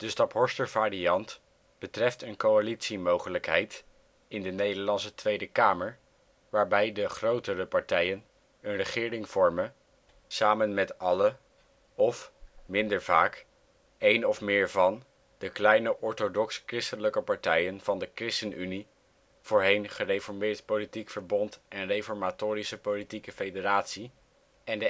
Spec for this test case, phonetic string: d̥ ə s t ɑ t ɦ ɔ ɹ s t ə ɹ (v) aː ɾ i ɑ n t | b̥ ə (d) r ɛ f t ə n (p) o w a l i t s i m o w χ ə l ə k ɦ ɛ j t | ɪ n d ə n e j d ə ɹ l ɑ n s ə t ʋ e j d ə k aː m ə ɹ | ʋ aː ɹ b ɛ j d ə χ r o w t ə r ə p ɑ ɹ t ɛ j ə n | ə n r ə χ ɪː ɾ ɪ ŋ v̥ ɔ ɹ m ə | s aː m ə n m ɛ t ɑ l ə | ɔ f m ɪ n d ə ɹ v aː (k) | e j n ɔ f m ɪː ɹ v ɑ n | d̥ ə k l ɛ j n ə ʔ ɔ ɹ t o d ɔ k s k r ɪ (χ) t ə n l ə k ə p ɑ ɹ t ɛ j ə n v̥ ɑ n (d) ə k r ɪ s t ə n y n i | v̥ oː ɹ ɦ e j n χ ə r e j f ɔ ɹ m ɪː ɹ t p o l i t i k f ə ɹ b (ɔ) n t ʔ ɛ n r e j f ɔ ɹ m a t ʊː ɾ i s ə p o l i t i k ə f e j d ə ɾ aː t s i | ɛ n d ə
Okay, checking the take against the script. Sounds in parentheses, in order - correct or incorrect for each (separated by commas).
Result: correct, incorrect, incorrect, correct, incorrect, correct, correct